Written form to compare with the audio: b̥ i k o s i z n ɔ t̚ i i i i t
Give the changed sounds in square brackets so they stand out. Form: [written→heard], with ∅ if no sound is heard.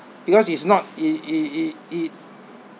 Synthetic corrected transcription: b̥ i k [o→ɔ] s i [z→s] n ɔ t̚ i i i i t